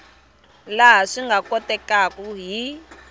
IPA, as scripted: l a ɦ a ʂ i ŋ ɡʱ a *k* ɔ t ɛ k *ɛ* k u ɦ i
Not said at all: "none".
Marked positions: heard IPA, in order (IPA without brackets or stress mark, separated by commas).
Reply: k, a